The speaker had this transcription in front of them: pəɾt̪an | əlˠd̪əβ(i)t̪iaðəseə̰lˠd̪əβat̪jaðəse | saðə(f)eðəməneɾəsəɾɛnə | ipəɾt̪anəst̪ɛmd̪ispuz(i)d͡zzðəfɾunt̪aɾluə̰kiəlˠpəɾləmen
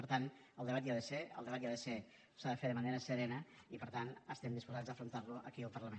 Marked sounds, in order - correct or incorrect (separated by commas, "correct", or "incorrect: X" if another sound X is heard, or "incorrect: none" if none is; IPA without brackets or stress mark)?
incorrect: a, correct, incorrect: a